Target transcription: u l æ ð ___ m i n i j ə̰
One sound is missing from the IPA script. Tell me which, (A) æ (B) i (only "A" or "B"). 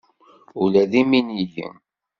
B